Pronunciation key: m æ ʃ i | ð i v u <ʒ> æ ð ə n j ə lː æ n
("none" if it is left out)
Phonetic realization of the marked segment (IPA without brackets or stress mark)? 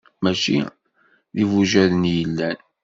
ʒ